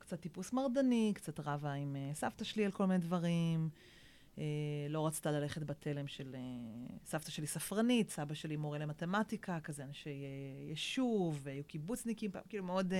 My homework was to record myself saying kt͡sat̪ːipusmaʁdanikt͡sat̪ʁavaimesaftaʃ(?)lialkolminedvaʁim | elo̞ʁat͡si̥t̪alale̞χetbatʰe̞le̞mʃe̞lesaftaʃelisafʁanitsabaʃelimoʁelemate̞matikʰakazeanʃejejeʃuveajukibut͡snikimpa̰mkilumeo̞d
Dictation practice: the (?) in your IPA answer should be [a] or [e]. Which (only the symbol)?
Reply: e